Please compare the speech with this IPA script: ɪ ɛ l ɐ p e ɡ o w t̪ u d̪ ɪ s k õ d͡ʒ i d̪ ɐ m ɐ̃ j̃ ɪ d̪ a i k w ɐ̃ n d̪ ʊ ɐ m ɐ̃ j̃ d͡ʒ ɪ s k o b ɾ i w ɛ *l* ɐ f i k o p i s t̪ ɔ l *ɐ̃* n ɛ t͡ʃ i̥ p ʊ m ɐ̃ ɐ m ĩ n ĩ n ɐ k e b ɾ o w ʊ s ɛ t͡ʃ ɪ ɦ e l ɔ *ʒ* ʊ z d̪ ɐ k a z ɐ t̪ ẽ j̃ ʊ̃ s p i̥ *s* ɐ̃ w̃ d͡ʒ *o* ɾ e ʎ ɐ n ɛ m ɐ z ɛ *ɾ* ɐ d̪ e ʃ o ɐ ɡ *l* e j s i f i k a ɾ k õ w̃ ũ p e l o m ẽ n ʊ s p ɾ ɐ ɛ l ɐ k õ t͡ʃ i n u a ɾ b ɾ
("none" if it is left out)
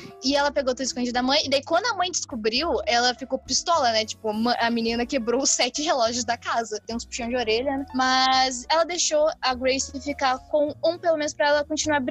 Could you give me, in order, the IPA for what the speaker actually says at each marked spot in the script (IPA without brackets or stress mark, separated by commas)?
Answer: l, ɐ, ʒ, ʃ, o, l, ɾ